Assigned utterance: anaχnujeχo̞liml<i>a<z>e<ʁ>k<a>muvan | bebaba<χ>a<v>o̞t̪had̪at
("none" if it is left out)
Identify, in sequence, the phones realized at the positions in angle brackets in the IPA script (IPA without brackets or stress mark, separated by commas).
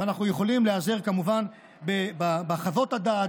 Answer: e, z, ʁ, a, χ, v